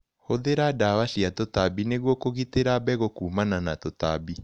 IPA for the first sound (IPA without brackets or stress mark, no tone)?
h